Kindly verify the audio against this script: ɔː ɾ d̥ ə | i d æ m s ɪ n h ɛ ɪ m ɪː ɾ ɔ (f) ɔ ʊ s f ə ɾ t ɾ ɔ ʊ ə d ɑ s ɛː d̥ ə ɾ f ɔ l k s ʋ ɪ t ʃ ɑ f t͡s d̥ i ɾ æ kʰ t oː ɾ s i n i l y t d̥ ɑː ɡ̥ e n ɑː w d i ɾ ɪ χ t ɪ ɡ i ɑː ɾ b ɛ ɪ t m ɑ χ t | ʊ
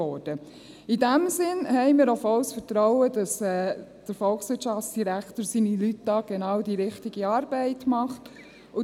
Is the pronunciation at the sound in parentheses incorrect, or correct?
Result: correct